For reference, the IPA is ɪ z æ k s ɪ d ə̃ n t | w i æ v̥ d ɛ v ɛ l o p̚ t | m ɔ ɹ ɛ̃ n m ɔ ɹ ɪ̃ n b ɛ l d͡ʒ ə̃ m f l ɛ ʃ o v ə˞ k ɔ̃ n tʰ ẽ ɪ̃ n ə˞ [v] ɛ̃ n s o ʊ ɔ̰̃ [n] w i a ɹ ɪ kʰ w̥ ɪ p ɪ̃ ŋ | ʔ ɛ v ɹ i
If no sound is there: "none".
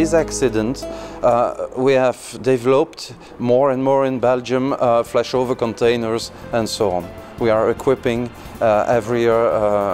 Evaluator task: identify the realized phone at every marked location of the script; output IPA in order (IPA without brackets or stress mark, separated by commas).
z, n